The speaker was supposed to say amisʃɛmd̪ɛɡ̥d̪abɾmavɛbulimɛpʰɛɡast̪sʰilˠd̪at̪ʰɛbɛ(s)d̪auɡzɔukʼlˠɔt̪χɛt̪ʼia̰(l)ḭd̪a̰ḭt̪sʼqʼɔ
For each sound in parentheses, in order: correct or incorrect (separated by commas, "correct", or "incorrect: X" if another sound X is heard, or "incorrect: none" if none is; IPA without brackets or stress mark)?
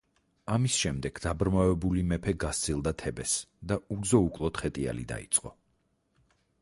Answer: correct, correct